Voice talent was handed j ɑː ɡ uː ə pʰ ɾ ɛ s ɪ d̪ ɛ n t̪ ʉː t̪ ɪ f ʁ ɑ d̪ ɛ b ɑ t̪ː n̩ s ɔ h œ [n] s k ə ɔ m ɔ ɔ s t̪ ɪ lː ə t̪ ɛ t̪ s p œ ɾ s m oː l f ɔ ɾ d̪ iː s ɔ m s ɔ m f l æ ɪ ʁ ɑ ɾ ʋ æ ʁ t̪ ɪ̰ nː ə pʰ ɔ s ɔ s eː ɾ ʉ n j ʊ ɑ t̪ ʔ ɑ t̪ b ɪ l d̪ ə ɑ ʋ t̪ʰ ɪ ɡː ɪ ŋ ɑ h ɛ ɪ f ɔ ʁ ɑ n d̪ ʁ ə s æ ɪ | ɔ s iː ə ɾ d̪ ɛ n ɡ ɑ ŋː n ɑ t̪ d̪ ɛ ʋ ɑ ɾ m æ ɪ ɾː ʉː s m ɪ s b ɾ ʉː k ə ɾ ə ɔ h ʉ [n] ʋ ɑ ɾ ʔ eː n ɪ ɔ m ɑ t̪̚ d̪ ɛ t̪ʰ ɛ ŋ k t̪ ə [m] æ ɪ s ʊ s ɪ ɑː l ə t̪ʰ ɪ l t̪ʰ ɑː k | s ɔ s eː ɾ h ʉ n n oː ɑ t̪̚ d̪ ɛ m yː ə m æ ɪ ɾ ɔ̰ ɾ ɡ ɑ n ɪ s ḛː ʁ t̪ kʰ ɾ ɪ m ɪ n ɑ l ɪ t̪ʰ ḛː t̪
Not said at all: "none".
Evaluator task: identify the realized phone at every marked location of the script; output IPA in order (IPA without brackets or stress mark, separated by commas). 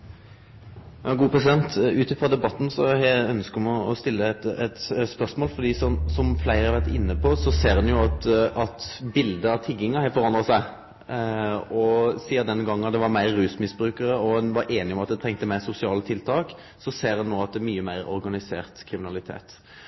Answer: n, n, m